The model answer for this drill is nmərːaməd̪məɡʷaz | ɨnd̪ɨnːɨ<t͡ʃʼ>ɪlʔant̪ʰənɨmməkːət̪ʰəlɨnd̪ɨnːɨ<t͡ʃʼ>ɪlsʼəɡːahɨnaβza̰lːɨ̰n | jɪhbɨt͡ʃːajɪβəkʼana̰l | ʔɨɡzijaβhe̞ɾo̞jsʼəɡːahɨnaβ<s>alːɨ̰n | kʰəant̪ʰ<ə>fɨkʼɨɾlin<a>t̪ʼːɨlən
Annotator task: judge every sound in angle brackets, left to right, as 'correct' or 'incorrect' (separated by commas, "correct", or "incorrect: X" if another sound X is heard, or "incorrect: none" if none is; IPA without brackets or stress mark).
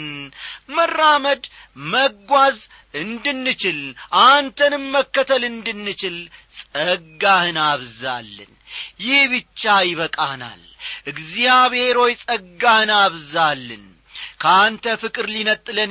incorrect: t͡ʃ, incorrect: t͡ʃ, incorrect: z, correct, incorrect: ə